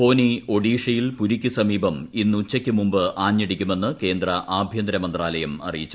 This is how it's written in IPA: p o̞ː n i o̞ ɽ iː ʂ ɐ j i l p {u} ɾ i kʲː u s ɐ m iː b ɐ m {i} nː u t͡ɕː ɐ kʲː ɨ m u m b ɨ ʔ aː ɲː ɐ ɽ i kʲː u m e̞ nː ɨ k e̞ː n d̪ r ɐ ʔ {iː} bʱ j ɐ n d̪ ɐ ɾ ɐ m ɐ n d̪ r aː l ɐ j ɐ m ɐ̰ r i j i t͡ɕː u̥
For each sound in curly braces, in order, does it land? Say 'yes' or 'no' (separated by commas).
yes, yes, no